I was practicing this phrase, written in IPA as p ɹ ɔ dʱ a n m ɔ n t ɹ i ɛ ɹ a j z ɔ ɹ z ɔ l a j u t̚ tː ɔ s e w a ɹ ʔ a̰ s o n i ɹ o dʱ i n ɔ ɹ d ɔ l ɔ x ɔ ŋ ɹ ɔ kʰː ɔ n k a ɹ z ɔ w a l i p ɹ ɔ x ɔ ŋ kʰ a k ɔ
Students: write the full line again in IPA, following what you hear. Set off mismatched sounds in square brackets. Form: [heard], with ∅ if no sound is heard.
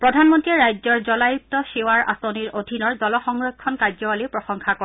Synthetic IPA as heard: p ɹ ɔ dʱ a n m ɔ n t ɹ i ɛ ɹ a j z ɔ ɹ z ɔ l a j u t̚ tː ɔ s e w a ɹ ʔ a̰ s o n i ɹ o dʱ i n ɔ ɹ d ɔ l ɔ x ɔ ŋ ɹ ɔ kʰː ɔ n k a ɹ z ɔ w a l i p ɹ ɔ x ɔ ŋ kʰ a k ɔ